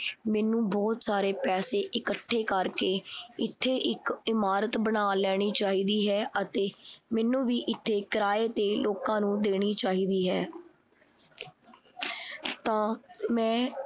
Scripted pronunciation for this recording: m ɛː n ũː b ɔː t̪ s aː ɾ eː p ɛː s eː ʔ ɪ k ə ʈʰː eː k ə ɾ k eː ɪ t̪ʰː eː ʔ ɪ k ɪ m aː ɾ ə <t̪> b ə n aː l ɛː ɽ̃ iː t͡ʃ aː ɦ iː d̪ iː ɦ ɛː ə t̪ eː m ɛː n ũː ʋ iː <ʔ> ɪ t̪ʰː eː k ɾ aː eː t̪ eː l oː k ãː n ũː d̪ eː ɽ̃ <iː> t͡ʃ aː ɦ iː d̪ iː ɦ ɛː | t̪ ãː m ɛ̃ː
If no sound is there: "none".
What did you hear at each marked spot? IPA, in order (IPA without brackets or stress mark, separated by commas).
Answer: t̪, ʔ, iː